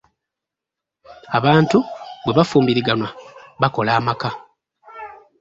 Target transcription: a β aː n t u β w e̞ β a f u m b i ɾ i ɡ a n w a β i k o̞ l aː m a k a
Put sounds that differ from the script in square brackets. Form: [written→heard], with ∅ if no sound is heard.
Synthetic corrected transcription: a β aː n t u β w e̞ β a f [u→uː] m b i ɾ i ɡ a n w a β [i→a] k o̞ l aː m a k a